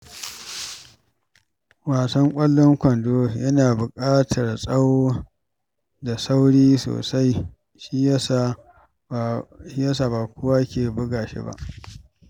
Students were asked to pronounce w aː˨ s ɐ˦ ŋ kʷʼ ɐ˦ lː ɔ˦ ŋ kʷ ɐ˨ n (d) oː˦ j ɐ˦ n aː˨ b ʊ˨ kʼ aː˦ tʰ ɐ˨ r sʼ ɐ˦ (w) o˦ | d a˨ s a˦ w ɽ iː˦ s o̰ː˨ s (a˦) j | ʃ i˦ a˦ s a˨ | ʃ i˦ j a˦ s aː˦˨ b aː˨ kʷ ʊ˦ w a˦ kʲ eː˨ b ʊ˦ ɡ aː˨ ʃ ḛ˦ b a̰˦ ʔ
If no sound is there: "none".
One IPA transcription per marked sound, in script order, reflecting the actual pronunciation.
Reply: d, w, a˦

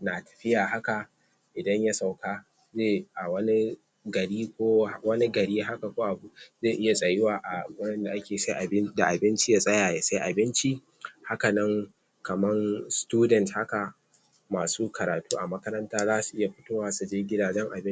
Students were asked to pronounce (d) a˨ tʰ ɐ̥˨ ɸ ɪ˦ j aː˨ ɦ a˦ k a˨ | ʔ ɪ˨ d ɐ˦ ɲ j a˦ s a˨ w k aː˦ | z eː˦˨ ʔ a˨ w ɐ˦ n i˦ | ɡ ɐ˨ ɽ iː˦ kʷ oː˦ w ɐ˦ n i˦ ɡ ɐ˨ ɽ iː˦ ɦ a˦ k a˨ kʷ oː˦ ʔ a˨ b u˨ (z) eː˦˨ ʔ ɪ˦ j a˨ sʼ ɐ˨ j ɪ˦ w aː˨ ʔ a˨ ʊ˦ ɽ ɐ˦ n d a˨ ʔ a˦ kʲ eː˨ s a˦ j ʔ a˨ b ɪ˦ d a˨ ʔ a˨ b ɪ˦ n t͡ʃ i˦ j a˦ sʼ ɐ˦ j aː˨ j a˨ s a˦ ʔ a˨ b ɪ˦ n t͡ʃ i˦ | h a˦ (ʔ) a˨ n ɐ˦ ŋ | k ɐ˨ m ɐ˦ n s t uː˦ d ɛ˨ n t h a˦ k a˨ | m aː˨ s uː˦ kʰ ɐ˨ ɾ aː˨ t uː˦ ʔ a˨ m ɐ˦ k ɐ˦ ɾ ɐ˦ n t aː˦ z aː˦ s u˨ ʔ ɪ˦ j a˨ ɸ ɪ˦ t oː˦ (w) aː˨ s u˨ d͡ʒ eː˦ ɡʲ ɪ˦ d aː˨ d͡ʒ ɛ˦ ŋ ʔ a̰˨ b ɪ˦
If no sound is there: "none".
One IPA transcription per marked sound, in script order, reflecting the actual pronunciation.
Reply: n, z, k, w

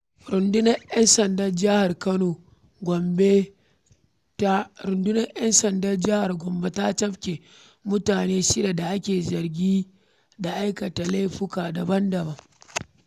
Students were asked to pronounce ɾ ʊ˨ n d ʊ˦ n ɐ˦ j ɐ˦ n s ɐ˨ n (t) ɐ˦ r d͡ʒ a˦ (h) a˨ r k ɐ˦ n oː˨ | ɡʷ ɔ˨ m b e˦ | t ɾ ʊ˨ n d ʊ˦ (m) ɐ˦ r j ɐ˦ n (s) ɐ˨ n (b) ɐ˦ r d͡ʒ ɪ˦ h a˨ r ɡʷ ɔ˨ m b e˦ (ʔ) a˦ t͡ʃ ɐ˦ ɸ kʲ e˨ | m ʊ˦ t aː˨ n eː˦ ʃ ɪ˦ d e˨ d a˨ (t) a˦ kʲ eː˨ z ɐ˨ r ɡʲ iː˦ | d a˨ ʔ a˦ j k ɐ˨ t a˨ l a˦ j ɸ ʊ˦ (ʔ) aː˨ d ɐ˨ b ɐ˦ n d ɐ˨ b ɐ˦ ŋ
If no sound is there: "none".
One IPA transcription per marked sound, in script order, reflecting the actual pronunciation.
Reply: d, h, n, s, d, t, ʔ, k

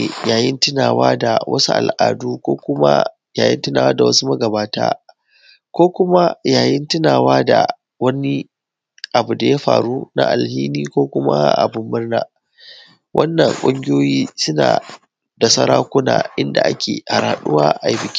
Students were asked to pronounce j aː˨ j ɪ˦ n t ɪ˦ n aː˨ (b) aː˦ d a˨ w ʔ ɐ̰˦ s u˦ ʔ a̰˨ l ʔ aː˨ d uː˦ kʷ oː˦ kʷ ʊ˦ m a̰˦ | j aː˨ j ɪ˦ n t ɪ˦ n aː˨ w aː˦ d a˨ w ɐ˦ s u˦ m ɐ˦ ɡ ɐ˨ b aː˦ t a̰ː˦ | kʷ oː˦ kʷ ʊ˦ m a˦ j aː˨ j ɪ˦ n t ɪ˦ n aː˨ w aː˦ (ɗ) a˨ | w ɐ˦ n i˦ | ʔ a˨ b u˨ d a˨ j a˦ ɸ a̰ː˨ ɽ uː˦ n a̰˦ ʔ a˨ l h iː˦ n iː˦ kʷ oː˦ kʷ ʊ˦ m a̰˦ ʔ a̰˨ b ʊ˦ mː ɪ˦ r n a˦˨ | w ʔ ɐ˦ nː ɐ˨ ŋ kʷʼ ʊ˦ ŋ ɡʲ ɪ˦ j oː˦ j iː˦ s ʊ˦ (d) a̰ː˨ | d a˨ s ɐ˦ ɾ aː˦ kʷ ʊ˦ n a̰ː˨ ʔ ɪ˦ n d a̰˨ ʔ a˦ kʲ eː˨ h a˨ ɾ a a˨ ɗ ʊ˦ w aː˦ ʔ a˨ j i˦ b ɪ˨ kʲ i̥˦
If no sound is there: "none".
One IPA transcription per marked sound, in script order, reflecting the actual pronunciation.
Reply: w, d, n

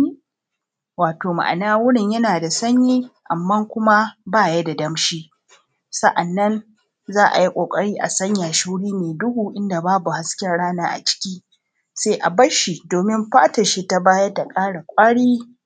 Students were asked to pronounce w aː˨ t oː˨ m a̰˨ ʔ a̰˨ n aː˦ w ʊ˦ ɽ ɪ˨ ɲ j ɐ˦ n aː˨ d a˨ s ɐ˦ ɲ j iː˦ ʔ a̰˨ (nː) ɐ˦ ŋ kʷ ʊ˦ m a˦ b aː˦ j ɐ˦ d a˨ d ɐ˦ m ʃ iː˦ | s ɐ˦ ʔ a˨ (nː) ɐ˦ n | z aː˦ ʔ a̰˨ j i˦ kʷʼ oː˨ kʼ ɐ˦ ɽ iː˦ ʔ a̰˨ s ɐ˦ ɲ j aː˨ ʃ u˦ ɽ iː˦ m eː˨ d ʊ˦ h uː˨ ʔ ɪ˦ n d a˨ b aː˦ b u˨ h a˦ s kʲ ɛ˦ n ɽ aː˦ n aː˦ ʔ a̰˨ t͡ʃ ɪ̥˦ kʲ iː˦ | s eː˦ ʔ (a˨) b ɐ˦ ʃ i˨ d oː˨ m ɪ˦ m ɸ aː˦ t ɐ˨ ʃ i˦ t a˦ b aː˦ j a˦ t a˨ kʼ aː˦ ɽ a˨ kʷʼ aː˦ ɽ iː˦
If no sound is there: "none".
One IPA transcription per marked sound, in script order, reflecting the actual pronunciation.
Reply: mː, nː, a˨

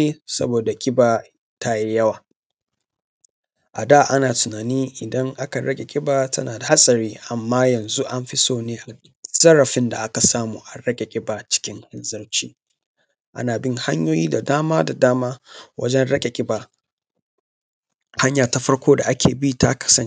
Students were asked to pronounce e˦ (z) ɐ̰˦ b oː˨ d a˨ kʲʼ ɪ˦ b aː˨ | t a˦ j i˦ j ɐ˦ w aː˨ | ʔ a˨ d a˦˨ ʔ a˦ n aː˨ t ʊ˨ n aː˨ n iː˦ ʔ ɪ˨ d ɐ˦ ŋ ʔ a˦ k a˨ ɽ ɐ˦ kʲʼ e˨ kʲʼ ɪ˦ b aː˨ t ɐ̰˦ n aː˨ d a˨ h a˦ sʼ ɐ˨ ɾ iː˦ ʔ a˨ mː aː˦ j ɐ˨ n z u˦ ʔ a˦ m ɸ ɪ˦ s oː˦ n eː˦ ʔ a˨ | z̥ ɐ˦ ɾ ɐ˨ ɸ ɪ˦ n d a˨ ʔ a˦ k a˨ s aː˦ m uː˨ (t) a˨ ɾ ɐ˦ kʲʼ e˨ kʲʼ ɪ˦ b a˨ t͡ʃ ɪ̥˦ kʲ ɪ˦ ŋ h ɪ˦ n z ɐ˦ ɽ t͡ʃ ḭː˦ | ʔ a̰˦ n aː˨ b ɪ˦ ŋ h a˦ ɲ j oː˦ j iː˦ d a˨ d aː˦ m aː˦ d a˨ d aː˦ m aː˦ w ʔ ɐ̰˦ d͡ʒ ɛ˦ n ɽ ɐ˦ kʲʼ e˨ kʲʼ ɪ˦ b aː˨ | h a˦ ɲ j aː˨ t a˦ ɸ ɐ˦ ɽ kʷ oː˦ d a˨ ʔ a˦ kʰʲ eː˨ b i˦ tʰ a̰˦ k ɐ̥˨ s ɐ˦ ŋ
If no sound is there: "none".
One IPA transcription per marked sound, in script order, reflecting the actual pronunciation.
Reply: s, ʔ

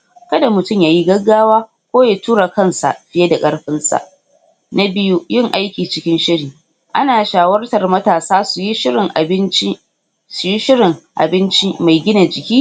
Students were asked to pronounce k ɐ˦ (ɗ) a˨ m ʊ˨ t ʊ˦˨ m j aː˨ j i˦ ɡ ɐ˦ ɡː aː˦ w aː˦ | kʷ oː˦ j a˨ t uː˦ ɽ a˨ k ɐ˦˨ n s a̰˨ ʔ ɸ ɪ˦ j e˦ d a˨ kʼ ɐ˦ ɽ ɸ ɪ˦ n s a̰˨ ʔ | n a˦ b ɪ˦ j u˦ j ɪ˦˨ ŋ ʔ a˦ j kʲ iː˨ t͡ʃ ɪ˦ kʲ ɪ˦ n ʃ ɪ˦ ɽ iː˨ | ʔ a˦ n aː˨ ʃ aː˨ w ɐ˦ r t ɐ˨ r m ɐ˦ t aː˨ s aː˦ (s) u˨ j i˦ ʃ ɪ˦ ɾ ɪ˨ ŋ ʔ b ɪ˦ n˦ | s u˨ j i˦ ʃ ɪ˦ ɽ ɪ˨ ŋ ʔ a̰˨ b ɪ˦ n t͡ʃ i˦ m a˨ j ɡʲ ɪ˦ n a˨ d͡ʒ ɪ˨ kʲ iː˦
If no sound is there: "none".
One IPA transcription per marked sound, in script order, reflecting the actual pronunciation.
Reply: d, s

